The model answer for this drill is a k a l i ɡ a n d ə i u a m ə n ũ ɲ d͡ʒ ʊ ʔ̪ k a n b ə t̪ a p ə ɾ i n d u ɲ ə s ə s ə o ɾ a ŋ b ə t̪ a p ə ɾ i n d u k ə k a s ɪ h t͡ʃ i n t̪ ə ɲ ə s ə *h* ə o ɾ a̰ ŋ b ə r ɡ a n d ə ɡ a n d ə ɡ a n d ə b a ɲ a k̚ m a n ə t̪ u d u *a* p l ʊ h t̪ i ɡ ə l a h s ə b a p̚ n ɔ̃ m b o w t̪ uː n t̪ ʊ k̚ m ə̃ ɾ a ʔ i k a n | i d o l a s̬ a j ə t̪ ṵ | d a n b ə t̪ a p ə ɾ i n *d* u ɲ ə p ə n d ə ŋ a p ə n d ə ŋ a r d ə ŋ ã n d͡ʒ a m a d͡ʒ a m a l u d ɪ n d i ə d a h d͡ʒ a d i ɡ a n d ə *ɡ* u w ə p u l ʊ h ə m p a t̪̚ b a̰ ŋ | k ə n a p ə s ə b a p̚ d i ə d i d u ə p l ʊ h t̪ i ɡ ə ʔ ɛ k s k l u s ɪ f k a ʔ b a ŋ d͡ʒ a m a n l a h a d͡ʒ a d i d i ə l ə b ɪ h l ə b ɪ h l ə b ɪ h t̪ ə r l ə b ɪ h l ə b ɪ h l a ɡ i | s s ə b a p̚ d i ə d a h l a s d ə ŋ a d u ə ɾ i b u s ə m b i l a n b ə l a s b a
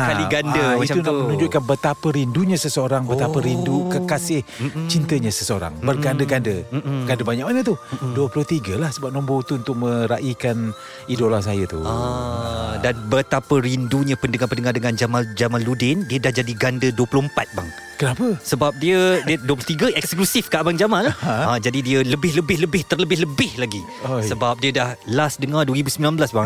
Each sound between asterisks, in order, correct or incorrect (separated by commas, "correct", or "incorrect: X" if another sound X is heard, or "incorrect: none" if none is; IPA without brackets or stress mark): incorrect: s, incorrect: ə, correct, incorrect: d